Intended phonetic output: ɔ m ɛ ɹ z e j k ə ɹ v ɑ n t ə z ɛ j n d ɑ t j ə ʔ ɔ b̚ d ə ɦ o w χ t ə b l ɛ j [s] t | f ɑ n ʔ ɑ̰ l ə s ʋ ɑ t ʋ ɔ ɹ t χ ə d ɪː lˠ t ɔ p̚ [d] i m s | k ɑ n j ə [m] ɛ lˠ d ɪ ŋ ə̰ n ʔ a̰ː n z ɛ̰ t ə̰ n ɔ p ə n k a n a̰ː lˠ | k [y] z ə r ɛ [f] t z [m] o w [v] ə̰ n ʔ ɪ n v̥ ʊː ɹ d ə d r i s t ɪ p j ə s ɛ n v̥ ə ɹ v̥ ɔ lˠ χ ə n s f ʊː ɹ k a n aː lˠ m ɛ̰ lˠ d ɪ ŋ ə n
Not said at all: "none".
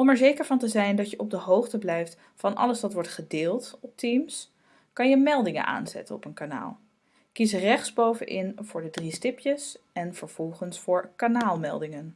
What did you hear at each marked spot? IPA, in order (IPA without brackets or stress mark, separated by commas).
f, t, m, i, χ, b, v